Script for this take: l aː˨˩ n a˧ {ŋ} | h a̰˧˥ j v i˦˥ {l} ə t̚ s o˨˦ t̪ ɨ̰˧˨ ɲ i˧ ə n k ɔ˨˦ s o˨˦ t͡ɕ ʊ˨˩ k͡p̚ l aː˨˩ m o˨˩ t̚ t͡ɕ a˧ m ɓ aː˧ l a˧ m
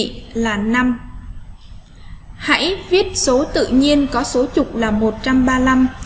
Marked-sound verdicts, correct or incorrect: incorrect: m, incorrect: none

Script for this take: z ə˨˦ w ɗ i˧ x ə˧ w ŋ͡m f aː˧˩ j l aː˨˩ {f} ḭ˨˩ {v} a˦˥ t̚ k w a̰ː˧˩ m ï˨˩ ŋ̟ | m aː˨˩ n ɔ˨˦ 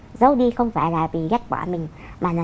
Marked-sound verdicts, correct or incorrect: incorrect: v, incorrect: ɣ

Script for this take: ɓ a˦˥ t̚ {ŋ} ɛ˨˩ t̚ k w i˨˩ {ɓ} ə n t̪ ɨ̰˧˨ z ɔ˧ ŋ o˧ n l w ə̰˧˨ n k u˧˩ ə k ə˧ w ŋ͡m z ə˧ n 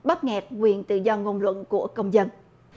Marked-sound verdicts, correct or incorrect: correct, incorrect: none

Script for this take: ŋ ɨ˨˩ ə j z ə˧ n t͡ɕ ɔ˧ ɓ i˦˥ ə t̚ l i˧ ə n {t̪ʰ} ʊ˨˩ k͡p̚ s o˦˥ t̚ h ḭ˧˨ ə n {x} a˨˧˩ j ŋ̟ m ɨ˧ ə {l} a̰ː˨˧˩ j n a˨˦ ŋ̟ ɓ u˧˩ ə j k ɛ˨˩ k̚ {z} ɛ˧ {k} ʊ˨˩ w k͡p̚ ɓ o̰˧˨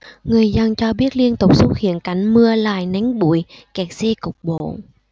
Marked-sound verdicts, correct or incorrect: incorrect: t̪, incorrect: k, correct, incorrect: s, correct

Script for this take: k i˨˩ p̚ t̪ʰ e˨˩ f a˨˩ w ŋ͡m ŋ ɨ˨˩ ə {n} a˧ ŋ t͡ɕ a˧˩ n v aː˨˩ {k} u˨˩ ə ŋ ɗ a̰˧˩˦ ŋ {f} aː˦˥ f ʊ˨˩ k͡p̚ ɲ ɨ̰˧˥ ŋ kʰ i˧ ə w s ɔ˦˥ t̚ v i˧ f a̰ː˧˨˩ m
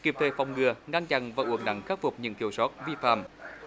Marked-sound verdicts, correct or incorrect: incorrect: ŋ, incorrect: ʔ, incorrect: x

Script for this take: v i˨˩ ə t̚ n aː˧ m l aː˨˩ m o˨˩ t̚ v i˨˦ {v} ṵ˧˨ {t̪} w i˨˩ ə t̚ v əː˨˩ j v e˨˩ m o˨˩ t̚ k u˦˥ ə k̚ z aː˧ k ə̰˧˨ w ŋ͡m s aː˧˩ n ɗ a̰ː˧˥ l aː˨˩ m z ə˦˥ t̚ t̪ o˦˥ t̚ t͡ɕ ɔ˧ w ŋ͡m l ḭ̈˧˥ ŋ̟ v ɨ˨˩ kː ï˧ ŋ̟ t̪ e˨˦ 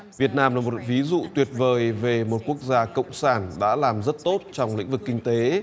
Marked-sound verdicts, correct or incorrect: incorrect: z, correct

